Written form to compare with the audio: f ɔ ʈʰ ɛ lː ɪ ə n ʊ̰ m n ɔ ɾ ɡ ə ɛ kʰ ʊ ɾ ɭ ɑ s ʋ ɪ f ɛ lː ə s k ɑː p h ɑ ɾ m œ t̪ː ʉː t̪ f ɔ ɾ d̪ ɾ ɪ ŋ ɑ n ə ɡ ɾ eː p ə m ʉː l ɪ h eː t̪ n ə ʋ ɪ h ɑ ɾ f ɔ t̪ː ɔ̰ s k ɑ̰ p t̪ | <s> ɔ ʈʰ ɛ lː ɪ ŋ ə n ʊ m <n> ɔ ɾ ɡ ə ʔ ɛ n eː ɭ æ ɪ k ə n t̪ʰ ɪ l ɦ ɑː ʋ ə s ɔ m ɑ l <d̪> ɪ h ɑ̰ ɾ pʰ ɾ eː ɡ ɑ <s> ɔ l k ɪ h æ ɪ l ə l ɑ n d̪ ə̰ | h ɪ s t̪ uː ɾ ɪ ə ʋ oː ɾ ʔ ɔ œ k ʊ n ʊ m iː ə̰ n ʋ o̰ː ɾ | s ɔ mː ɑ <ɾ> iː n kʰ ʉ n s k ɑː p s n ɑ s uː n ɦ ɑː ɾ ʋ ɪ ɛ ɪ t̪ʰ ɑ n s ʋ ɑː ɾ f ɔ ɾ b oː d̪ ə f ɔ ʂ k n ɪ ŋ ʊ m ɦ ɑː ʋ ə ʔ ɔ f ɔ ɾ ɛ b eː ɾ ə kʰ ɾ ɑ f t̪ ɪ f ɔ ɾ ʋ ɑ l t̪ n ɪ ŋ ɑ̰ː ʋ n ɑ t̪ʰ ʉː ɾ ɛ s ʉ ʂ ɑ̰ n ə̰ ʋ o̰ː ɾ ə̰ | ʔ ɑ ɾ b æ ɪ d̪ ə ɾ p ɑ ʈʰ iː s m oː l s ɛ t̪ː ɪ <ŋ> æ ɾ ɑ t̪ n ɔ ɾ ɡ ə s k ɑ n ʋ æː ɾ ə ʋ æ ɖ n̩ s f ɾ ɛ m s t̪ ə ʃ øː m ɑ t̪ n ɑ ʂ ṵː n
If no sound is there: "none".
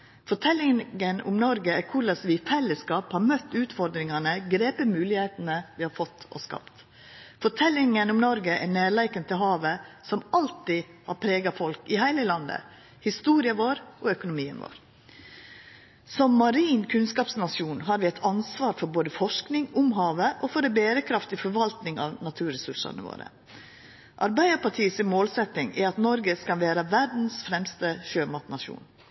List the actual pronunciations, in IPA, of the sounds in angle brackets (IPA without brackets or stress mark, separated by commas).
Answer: f, n, t̪, f, ɾ, ŋ